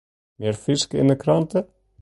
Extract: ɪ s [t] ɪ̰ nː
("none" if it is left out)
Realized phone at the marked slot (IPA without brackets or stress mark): k